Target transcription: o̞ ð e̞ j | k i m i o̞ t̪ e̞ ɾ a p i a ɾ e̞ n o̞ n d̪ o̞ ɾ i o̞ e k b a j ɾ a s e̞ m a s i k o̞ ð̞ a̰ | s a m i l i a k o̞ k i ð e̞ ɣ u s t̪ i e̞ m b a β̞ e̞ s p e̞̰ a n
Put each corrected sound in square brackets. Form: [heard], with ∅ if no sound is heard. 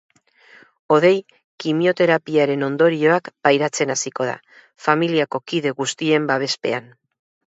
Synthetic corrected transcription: o̞ ð e̞ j | k i m i o̞ t̪ e̞ ɾ a p i a ɾ e̞ n o̞ n d̪ o̞ ɾ i o̞ [a] k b a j ɾ a [t͡s] e̞ [n] a s i k o̞ ð̞ a̰ | [f] a m i l i a k o̞ k i ð e̞ ɣ u s t̪ i e̞ m b a β̞ e̞ s p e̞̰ a n